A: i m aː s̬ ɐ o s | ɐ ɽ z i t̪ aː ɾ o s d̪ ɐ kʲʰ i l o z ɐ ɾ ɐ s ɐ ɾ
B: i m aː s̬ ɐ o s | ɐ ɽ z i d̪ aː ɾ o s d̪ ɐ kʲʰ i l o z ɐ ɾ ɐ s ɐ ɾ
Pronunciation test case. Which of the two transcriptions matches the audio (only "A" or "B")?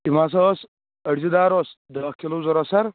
B